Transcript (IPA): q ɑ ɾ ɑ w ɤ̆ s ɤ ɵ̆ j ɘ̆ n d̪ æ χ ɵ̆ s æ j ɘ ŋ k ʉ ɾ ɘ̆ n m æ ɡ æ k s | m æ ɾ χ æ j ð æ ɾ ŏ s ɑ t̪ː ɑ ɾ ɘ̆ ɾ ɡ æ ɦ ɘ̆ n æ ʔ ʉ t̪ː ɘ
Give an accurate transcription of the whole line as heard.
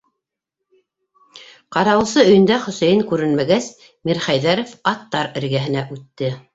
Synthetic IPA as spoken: q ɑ ɾ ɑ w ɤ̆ s ɤ ɵ̆ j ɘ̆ n d̪ æ χ ɵ̆ s æ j ɘ ŋ k ʉ ɾ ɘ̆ n m æ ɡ æ s | m i ɾ χ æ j ð æ ɾ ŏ f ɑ t̪ː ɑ ɾ ɘ̆ ɾ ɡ æ ɦ ɘ̆ n æ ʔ ʉ t̪ː ɘ